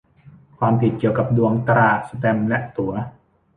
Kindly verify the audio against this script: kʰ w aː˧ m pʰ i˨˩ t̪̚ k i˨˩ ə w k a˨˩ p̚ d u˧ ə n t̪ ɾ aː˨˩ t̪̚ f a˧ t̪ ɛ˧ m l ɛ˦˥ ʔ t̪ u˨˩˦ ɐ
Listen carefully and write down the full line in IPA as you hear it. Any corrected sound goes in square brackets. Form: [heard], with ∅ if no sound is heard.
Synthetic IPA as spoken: kʰ w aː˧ m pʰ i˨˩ t̪̚ k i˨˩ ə w k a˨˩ p̚ d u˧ ə [ŋ] t̪ ɾ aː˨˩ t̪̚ [s] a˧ t̪ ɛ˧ m l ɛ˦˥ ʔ t̪ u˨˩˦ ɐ